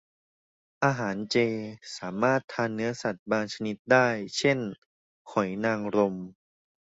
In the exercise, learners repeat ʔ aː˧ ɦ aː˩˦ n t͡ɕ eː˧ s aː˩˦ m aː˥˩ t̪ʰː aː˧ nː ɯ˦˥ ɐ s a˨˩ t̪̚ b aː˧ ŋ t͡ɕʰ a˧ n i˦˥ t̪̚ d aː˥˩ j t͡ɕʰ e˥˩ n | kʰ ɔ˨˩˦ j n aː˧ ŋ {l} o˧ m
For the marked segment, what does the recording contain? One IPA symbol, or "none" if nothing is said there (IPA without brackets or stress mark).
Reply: ɾ